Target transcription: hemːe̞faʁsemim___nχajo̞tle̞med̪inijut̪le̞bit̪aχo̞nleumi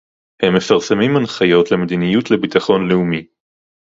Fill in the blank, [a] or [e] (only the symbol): a